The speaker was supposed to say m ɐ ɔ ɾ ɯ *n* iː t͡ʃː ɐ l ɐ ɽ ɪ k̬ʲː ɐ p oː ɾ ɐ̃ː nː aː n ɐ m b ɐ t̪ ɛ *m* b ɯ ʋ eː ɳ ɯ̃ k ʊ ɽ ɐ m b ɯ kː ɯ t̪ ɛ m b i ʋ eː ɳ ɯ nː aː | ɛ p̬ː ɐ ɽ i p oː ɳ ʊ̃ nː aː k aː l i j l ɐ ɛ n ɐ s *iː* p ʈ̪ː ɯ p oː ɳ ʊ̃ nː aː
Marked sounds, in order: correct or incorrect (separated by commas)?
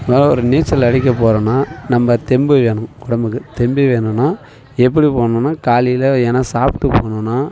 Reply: correct, correct, incorrect